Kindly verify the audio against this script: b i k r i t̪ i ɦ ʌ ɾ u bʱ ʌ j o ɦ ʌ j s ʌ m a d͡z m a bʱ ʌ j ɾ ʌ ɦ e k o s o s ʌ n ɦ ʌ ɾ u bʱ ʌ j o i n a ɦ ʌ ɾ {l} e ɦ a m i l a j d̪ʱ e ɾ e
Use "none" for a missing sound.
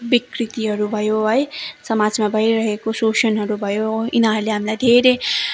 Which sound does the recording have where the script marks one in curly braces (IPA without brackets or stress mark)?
l